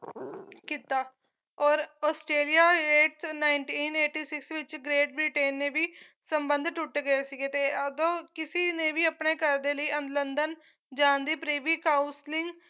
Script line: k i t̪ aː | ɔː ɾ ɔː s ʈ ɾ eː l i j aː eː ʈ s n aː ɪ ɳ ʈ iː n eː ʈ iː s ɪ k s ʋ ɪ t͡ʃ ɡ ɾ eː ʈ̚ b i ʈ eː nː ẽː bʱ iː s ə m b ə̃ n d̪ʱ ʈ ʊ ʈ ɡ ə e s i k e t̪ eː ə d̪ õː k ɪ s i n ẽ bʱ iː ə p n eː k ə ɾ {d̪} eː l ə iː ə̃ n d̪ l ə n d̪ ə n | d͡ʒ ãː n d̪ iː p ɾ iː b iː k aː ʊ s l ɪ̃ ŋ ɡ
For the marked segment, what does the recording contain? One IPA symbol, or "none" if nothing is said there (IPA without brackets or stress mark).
d̪